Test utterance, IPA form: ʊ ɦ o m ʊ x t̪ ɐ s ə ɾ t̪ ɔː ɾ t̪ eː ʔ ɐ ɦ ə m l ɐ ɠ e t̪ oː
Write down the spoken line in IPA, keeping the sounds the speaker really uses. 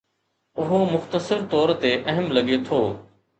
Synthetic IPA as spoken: ʊ ɦ o m ʊ x t̪ ə s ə ɾ t̪ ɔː ɾ t̪ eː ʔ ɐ ɦ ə m l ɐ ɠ e t̪ʰ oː